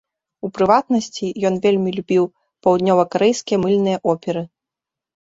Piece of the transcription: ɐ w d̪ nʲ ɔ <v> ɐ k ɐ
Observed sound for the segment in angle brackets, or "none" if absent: v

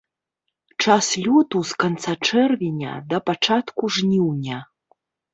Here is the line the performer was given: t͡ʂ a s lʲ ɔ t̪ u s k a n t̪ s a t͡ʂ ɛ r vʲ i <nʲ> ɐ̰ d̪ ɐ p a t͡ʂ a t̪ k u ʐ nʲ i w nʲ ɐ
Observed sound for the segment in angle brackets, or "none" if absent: nʲ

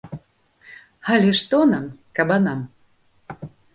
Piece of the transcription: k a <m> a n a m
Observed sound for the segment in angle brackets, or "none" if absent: b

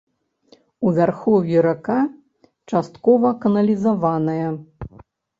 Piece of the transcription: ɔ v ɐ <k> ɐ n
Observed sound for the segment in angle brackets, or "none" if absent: k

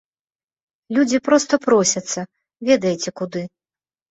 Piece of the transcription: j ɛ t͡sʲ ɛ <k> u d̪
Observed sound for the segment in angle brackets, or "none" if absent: k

